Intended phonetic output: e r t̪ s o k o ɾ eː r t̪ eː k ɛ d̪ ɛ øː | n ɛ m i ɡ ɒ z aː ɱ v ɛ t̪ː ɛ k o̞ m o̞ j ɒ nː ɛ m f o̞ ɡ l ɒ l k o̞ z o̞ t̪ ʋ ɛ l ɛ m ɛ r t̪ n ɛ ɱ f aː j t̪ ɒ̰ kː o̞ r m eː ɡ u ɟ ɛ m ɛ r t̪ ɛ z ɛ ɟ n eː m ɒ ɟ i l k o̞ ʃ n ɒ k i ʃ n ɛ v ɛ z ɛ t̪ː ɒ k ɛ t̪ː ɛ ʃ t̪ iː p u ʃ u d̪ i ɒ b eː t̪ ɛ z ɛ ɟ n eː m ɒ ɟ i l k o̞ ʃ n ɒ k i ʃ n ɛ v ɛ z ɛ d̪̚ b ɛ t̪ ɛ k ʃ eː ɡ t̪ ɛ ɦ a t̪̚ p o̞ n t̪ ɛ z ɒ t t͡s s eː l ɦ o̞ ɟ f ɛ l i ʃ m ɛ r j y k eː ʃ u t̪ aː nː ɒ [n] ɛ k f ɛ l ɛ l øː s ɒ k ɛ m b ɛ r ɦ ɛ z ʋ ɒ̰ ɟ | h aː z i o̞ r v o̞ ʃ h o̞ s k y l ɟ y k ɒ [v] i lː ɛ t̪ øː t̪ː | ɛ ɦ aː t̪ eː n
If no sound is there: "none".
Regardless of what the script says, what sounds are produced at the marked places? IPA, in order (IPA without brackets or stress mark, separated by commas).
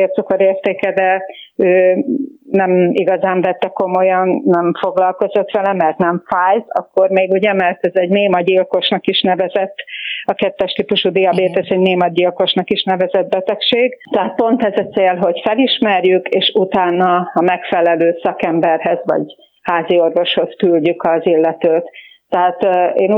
m, z